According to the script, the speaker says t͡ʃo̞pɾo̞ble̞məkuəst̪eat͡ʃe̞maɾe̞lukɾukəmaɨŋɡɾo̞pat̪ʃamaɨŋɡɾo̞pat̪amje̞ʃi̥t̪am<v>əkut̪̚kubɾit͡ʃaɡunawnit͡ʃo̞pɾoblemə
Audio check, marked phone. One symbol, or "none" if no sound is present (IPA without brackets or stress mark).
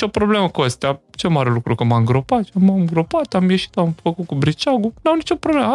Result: f